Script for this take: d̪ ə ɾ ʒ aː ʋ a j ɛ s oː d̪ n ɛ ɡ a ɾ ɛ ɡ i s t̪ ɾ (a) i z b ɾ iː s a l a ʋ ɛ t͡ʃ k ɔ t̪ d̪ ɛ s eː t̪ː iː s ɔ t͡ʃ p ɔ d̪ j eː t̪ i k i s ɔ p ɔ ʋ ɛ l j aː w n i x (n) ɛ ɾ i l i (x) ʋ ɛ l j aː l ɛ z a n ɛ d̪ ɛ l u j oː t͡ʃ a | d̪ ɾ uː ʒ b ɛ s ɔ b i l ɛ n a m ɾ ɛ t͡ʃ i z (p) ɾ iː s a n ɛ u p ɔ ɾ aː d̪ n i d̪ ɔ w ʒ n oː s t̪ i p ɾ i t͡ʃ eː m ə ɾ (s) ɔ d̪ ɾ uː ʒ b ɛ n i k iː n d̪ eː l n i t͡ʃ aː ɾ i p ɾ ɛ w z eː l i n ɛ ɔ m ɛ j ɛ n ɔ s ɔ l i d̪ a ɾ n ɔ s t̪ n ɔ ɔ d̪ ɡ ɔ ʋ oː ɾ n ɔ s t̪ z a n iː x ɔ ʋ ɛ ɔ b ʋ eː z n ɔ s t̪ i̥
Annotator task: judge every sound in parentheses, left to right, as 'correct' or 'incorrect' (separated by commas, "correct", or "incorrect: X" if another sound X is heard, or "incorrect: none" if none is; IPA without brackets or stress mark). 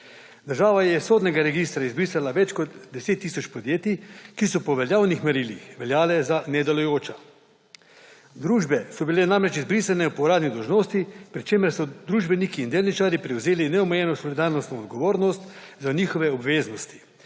correct, incorrect: m, correct, incorrect: b, correct